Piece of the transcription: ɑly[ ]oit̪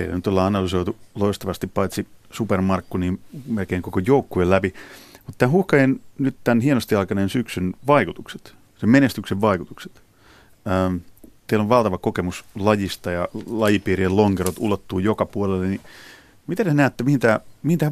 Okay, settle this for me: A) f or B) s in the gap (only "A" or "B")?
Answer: B